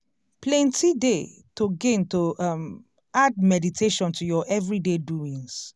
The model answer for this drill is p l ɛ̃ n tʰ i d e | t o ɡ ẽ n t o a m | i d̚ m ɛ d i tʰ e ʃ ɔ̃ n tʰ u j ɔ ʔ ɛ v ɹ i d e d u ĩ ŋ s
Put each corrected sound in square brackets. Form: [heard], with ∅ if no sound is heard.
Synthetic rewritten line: p l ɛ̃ n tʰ i d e | t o ɡ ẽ n t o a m | [a] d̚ m ɛ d i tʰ e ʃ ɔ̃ n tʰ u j ɔ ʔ ɛ v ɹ i d e d u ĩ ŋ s

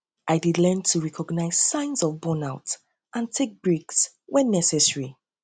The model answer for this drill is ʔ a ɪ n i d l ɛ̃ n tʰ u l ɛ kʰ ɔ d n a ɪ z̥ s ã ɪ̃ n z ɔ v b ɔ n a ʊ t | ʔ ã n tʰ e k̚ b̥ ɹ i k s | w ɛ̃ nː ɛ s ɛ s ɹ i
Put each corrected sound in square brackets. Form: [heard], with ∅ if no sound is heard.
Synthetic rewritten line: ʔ a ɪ [d] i d l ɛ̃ n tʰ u [ɹ] ɛ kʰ ɔ [ɡ] n a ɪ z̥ s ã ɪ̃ n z ɔ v b ɔ n a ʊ t | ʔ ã n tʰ e k̚ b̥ ɹ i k s | w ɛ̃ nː ɛ s ɛ s ɹ i

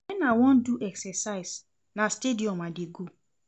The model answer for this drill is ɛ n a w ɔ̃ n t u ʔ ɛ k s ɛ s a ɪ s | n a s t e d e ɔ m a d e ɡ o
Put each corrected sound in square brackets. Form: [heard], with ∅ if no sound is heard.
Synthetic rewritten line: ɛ n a w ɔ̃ n [d] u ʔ ɛ k s ɛ s a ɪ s | n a s t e d [i] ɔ m a d e ɡ o

